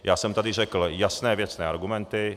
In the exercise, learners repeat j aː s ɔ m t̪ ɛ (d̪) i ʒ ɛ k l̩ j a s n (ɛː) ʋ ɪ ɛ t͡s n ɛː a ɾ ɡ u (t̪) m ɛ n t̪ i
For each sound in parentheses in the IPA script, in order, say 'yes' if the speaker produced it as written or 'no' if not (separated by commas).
yes, yes, no